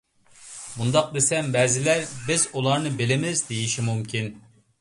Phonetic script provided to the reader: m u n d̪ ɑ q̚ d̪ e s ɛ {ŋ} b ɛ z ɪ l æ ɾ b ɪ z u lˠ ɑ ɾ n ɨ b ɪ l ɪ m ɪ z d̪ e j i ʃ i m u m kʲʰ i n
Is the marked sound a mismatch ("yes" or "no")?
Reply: yes